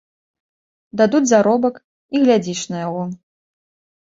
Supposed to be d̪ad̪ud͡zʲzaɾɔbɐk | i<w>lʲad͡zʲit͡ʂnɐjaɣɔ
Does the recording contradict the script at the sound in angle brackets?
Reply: yes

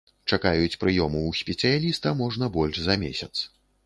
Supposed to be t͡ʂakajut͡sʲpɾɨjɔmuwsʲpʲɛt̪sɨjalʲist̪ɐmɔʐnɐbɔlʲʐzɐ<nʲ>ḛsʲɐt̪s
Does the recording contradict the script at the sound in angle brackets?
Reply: yes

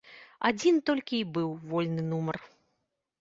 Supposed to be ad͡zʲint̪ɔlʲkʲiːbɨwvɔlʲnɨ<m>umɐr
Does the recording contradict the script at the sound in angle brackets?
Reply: yes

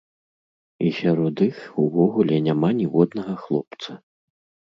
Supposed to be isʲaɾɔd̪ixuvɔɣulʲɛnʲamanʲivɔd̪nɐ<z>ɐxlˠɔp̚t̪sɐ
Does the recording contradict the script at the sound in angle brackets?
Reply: yes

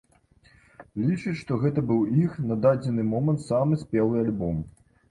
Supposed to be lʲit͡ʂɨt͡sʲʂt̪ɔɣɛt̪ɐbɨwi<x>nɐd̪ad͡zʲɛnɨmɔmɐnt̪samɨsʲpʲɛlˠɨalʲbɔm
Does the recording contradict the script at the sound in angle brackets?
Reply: no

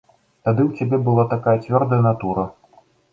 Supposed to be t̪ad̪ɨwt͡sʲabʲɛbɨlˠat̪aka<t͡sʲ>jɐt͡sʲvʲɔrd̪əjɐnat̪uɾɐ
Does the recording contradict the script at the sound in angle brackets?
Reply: yes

